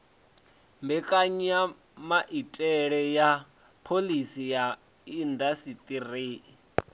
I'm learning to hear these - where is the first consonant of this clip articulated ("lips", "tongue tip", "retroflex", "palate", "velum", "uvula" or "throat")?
lips